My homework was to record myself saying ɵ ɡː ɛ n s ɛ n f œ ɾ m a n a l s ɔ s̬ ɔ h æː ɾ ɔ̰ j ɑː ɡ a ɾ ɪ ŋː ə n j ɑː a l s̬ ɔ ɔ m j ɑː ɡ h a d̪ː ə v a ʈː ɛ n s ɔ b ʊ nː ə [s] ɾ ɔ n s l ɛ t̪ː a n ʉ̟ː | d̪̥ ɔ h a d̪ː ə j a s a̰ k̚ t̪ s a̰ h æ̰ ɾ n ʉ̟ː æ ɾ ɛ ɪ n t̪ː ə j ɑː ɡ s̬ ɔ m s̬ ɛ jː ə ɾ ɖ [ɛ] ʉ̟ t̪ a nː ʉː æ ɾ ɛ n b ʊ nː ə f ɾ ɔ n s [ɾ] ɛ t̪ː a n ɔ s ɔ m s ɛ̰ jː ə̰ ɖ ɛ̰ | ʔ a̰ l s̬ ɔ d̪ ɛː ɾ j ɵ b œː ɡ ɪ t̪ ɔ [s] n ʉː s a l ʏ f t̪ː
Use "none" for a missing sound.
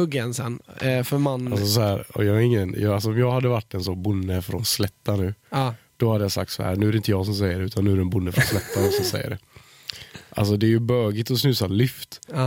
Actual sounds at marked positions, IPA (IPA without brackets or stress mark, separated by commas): f, ɛ, l, s